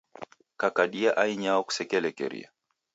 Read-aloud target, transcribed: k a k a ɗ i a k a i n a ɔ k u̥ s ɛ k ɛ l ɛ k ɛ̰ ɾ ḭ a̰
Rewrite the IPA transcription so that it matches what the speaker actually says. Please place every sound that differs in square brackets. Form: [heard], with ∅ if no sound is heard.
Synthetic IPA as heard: k a k a ɗ i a [ʔ] a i [ɲ] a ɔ k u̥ s ɛ k ɛ l ɛ k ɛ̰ ɾ ḭ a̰